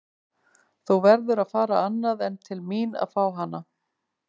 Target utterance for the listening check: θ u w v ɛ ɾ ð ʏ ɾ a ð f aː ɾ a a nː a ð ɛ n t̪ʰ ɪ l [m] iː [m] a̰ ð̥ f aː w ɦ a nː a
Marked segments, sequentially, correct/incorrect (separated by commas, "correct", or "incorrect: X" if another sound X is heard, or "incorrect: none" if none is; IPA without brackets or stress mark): correct, incorrect: n